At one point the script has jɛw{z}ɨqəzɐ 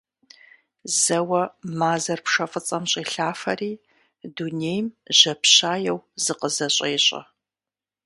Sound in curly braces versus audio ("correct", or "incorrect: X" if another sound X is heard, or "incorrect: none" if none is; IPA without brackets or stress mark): correct